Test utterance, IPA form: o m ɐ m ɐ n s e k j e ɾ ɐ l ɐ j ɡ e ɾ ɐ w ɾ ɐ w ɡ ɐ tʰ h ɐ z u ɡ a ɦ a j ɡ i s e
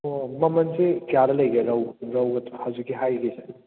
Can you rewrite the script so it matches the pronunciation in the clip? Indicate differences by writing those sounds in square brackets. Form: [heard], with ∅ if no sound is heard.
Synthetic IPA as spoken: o m ɐ m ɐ n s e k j [a] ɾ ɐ l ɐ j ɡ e ɾ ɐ w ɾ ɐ w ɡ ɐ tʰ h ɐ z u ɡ [i] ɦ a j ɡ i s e